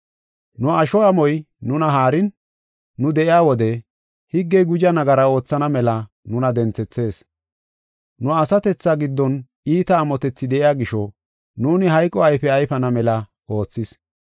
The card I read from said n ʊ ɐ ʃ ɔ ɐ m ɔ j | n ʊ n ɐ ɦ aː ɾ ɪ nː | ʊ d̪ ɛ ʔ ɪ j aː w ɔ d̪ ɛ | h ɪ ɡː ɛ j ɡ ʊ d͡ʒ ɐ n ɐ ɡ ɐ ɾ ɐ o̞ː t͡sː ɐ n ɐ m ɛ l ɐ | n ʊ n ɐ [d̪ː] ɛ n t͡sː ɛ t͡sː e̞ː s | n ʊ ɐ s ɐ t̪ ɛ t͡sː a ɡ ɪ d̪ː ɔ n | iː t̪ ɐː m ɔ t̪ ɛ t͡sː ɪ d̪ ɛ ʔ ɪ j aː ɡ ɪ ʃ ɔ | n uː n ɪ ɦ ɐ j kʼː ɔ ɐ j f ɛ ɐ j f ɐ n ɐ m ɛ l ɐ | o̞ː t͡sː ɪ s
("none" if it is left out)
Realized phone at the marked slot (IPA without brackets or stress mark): d̪